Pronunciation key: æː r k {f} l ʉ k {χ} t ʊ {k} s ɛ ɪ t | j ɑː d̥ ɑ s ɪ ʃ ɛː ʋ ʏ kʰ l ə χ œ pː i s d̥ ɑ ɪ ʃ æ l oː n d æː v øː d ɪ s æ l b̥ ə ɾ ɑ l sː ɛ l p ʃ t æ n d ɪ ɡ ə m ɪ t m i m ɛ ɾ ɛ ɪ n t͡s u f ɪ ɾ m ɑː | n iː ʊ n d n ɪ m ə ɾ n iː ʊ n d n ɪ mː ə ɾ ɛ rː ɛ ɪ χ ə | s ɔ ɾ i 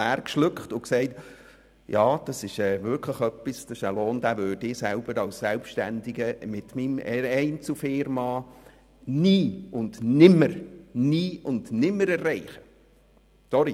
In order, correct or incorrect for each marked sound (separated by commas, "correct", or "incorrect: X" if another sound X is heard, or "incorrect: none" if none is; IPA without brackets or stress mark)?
incorrect: ʃ, correct, correct